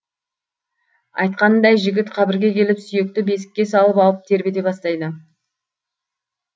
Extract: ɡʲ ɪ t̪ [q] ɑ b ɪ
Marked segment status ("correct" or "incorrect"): incorrect